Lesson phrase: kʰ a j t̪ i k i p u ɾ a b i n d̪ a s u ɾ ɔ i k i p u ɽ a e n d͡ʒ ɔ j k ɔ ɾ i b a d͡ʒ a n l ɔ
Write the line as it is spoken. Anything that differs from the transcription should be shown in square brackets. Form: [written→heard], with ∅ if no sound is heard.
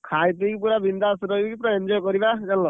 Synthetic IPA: kʰ a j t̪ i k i p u ɾ a b i n d̪ a s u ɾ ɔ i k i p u [ɽ→ɾ] a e n d͡ʒ ɔ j k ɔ ɾ i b a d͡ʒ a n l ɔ